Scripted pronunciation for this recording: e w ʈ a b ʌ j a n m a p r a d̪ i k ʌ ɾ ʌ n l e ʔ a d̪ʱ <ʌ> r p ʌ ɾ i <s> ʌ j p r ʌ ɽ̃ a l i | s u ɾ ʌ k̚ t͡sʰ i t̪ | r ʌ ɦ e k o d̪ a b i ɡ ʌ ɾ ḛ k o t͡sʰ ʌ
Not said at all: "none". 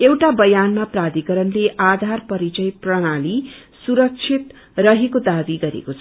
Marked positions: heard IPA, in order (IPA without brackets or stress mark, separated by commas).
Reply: a, t͡s